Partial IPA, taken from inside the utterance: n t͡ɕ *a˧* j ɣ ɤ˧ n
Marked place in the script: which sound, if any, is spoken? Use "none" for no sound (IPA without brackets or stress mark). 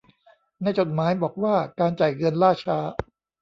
a˨˩